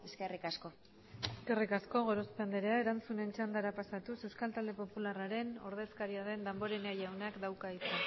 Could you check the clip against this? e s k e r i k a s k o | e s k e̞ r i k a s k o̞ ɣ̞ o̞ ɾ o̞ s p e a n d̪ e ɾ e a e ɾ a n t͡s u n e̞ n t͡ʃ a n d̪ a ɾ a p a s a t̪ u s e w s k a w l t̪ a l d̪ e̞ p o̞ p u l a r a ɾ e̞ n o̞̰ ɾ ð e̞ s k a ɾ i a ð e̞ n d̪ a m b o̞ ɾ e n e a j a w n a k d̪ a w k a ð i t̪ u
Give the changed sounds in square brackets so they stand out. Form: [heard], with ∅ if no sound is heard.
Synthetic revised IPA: e s k e r i k a s k o | e s k e̞ r i k a s k o̞ ɣ̞ o̞ ɾ o̞ s p e a n d̪ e ɾ e a e ɾ a n t͡s u n e̞ n t͡ʃ a n d̪ a ɾ a p a s a t̪ u s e w s k a [∅] l t̪ a l d̪ e̞ p o̞ p u l a r a ɾ e̞ n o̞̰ ɾ ð e̞ s k a ɾ i a ð e̞ n d̪ a m b o̞ ɾ e n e a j a w n a k d̪ a w k a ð i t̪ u